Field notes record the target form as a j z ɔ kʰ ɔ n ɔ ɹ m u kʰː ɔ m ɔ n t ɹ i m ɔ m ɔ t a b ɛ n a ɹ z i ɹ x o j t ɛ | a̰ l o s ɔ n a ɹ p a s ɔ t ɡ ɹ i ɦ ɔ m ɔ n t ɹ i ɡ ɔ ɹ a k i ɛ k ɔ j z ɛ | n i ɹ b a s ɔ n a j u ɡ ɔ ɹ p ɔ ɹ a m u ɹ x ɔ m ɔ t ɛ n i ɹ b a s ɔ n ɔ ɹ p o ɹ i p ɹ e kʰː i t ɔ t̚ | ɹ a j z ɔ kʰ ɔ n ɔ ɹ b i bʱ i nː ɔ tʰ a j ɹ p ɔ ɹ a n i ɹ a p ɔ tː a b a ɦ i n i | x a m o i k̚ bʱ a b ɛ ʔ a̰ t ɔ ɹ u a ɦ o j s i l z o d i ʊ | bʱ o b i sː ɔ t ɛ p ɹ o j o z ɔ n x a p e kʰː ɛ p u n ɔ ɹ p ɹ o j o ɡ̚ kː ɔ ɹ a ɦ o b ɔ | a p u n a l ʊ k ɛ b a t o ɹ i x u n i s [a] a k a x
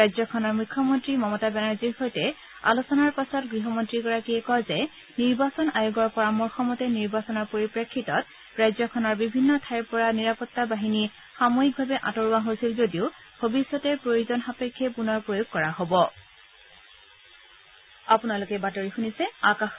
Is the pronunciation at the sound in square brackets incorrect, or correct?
incorrect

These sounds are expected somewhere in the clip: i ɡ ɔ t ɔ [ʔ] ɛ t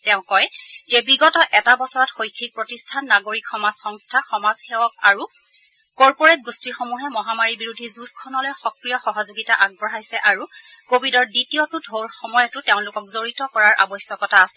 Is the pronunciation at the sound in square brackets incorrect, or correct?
correct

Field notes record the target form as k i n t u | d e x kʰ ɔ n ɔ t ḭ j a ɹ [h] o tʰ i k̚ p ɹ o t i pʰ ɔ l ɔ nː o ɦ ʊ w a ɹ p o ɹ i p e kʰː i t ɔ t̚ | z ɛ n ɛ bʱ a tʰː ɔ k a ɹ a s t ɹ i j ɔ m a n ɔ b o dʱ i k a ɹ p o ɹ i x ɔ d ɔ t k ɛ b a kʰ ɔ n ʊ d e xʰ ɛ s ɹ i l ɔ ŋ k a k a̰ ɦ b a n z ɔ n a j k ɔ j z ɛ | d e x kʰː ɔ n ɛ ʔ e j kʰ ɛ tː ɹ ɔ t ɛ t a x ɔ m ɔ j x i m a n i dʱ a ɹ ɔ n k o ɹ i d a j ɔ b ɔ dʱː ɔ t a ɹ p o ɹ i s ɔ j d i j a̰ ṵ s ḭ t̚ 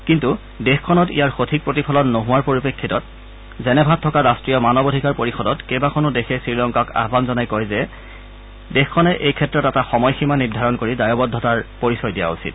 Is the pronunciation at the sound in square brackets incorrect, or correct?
incorrect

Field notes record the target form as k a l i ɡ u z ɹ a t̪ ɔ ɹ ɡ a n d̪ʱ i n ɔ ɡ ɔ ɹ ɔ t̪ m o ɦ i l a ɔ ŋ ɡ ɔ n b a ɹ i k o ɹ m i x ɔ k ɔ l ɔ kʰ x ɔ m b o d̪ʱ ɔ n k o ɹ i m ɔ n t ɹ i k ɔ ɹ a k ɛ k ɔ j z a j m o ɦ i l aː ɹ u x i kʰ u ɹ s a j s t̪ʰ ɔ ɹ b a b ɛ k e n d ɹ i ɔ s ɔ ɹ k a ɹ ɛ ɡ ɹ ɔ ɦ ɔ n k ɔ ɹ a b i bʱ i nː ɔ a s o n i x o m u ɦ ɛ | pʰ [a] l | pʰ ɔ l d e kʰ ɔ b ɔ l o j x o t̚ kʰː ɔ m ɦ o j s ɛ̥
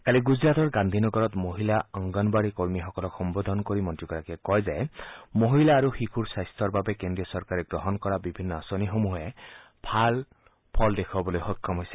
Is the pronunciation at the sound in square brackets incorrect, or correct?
correct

